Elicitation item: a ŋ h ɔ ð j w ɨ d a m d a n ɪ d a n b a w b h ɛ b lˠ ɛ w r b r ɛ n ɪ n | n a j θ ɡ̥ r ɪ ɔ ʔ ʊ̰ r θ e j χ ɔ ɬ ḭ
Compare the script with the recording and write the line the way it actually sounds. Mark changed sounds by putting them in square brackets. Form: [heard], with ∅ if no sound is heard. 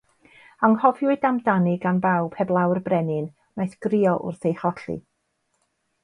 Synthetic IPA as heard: a ŋ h ɔ [v] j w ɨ d a m d a n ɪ [ɡ] a n b a w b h ɛ b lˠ [a] w r b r ɛ n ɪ n | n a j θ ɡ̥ r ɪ ɔ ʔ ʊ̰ r θ e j χ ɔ ɬ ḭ